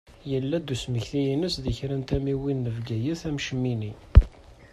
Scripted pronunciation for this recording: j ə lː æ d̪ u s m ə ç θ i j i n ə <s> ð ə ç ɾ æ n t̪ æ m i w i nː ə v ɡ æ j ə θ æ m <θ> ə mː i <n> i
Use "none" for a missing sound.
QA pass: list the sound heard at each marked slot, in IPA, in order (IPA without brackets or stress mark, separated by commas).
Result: s, ʃ, n